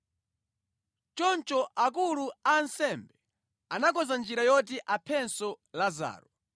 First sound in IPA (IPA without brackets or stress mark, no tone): t͡ʃ